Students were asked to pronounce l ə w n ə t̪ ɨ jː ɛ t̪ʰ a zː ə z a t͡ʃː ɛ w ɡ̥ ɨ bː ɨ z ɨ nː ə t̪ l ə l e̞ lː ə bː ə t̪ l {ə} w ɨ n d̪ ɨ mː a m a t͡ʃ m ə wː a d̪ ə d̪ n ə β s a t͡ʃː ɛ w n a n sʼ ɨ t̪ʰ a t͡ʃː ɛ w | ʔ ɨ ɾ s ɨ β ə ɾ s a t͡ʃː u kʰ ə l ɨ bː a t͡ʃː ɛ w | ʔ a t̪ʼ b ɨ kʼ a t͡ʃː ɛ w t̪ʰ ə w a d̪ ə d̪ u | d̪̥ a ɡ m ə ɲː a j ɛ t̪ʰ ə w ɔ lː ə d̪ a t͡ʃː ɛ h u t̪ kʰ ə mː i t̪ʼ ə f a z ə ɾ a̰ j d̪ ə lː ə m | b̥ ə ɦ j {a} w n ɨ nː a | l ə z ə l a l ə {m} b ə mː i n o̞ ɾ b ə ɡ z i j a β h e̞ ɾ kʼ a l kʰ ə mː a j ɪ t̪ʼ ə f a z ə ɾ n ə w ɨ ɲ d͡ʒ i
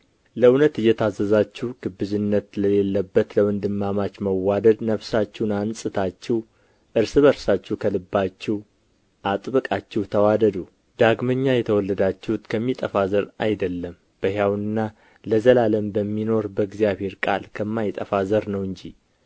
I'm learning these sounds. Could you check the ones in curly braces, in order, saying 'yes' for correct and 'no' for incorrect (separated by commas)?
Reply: yes, yes, yes